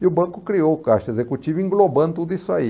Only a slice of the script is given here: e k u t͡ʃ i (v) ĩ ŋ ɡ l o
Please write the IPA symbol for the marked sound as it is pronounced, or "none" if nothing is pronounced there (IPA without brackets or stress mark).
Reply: v